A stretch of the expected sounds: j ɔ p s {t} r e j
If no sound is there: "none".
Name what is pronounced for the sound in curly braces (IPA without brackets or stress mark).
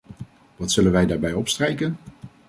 t